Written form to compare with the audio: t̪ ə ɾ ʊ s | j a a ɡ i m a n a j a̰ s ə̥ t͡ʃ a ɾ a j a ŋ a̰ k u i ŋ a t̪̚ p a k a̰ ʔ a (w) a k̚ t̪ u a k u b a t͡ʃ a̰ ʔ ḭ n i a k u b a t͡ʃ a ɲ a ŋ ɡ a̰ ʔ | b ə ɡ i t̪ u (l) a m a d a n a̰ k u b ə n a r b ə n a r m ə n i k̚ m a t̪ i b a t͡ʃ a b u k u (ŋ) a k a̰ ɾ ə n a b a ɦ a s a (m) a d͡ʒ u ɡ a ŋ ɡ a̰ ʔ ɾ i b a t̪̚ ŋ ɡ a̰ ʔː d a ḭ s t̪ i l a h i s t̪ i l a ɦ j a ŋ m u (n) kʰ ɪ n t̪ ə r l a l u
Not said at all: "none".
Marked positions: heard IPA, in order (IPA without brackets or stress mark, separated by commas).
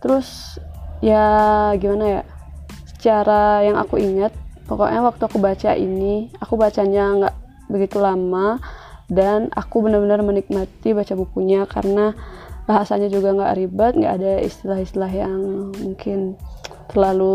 w, l, ɲ, ɲ, ŋ